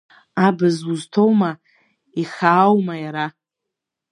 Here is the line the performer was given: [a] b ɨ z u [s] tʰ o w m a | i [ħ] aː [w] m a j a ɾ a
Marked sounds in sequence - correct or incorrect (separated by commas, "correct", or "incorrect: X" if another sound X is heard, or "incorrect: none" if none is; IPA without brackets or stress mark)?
correct, incorrect: z, incorrect: χ, correct